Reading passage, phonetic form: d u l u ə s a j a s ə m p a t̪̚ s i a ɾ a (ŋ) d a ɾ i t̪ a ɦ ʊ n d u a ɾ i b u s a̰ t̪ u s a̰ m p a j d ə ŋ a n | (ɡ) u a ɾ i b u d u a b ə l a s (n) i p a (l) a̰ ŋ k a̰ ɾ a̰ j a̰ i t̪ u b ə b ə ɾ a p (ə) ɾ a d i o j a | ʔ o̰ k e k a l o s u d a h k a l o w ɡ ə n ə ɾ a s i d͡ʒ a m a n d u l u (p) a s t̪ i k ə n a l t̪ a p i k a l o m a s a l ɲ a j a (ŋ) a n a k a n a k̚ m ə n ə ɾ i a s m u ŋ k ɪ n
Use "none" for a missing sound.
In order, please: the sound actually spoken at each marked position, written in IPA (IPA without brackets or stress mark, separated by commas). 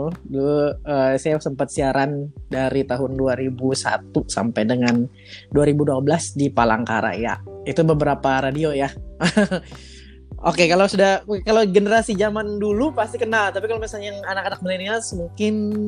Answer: n, d, d, l, a, p, ŋ